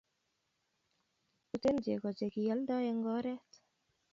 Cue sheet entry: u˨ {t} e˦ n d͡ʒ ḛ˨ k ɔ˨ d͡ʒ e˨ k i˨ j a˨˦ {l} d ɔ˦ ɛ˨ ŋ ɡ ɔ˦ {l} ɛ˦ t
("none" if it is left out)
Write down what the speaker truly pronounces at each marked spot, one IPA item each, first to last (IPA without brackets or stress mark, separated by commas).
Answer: t, l, ɾ